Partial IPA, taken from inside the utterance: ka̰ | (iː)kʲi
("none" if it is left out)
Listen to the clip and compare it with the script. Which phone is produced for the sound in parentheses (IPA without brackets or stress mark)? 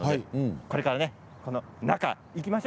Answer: i